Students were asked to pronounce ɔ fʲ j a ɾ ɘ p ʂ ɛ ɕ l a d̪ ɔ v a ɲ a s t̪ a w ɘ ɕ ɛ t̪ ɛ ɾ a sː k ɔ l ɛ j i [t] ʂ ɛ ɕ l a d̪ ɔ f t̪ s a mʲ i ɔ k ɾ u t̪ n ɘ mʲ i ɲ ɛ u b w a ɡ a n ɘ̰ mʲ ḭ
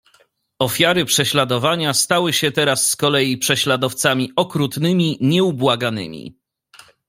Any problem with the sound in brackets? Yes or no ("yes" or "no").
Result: yes